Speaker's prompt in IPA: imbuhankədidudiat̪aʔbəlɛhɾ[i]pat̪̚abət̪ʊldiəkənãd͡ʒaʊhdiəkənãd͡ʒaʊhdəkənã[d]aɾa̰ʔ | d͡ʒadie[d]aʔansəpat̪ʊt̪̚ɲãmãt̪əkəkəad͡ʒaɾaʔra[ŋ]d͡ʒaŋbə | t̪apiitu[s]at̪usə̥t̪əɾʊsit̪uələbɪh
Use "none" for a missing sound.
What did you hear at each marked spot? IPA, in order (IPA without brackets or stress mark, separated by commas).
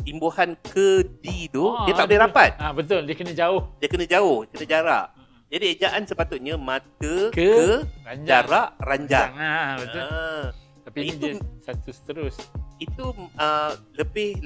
a, d͡ʒ, d͡ʒ, ɲ, s